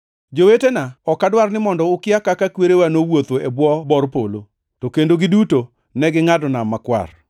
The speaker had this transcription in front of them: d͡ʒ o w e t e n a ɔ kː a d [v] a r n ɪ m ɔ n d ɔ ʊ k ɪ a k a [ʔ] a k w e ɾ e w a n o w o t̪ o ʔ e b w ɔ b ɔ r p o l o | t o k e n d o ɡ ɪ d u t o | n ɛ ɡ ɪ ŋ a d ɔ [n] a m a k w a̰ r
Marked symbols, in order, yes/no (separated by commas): no, no, yes